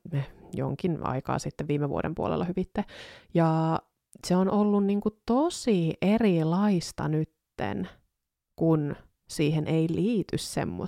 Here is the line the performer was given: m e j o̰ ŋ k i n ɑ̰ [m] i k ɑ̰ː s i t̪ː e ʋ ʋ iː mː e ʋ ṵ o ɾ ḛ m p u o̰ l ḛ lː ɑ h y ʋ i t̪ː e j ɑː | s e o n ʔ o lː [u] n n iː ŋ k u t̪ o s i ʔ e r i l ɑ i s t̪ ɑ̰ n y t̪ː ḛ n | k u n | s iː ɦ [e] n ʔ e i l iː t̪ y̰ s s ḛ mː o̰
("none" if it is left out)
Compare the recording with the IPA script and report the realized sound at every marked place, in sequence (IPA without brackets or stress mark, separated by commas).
none, u, e